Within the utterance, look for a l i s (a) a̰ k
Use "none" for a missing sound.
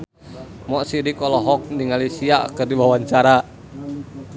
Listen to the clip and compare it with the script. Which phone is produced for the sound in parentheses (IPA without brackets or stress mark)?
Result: i